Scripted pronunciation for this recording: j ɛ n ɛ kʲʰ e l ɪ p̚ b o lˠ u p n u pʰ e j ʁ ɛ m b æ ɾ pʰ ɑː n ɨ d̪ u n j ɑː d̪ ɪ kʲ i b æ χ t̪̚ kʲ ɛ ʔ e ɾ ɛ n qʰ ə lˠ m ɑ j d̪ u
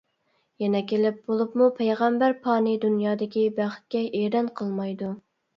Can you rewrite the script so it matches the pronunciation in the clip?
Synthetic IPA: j ɛ n ɛ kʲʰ e l ɪ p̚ b o lˠ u p m u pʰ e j ʁ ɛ m b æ ɾ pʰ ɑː n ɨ d̪ u n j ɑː d̪ ɪ kʲ i b æ χ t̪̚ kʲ ɛ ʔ e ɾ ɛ n qʰ ə lˠ m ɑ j d̪ u